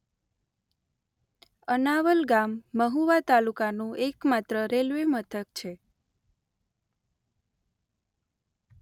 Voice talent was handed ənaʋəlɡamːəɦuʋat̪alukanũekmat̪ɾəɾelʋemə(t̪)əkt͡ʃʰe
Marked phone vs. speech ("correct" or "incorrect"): incorrect